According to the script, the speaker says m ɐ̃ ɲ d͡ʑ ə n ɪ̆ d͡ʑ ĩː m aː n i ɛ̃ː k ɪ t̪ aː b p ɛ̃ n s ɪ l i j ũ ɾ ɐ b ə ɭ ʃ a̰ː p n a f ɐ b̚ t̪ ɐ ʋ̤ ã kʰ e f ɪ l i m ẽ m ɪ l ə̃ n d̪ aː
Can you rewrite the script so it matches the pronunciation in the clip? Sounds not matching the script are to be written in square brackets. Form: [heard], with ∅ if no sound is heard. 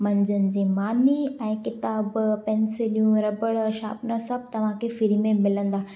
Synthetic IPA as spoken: m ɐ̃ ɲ d͡ʑ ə n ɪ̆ d͡ʑ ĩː m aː n i ɛ̃ː k ɪ t̪ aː b p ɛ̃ n s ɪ l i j ũ ɾ ɐ b ə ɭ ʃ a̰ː p n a [s] ɐ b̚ t̪ ɐ ʋ̤ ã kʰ e f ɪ [ɾ] i m ẽ m ɪ l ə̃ n d̪ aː